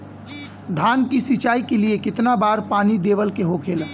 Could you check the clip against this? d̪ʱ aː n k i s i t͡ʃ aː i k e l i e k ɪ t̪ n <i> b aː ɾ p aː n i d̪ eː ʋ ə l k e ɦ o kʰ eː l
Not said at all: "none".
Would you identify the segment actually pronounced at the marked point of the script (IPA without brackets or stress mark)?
a